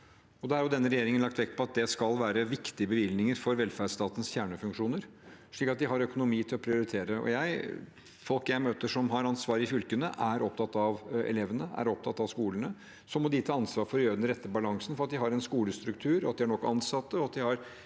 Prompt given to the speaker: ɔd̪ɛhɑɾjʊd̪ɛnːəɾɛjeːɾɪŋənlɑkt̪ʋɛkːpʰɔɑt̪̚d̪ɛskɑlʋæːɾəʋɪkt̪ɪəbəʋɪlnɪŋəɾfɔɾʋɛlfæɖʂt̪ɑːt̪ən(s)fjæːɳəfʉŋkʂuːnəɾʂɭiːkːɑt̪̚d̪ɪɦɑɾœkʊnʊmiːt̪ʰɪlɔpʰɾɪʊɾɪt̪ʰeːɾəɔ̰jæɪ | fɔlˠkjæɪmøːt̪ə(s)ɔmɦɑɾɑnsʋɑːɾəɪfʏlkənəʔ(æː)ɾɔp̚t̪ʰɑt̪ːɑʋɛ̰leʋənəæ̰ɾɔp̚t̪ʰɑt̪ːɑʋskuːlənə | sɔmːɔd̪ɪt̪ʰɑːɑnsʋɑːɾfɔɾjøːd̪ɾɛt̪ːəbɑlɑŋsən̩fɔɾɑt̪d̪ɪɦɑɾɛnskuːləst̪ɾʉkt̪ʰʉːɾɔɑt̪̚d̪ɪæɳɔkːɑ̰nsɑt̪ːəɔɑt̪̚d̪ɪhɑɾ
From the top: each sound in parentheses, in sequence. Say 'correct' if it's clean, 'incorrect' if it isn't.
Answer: correct, incorrect: ʂ, incorrect: æ

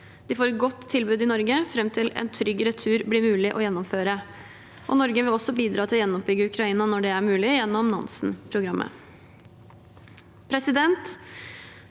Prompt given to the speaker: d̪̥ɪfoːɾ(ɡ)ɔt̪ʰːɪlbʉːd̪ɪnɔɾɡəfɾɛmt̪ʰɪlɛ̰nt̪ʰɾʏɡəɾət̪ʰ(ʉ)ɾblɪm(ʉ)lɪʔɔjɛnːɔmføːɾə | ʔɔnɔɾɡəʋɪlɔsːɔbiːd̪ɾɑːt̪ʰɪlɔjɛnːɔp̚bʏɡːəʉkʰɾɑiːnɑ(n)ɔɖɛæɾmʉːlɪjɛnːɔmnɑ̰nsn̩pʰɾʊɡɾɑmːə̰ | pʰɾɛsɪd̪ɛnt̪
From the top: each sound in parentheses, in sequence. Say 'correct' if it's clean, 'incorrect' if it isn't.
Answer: correct, incorrect: ʉː, incorrect: ʉː, correct

